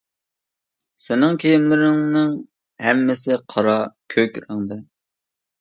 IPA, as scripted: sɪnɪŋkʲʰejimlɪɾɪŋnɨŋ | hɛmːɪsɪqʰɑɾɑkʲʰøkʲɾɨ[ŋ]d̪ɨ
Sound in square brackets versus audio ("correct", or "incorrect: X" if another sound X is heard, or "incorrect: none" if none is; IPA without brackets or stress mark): correct